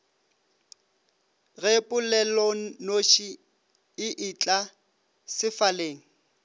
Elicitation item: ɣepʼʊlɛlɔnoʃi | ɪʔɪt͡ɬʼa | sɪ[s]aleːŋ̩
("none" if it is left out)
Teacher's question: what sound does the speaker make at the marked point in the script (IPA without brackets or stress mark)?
f